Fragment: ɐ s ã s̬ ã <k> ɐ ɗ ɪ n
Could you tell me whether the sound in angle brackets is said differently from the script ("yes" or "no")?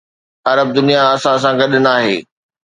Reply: yes